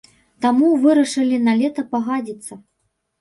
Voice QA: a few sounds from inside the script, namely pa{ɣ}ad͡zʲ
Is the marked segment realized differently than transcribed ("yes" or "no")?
no